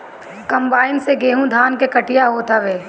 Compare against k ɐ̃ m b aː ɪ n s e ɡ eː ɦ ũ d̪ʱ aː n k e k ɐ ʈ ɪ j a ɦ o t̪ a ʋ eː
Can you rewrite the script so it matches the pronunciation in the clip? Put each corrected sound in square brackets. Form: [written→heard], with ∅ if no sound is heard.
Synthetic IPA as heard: k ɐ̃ m b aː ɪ n s e ɡ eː ɦ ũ d̪ʱ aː n k e k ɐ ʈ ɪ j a ɦ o t̪ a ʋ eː